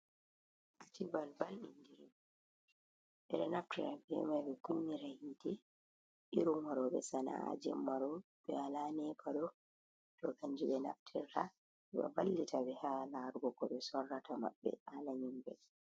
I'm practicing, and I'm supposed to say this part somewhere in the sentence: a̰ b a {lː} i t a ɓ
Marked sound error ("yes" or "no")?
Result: no